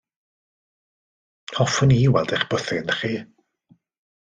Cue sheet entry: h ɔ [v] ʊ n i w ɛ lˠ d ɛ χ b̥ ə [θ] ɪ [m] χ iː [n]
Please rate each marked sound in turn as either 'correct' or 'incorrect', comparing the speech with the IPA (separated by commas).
incorrect, correct, incorrect, incorrect